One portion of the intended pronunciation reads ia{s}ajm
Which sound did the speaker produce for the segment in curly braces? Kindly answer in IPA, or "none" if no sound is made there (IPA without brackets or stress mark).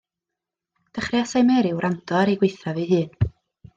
s